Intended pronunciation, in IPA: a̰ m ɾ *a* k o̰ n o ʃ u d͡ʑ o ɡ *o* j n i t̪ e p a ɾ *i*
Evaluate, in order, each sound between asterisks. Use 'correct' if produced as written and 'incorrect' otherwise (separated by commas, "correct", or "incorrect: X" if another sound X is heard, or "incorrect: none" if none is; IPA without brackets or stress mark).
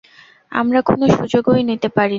correct, correct, correct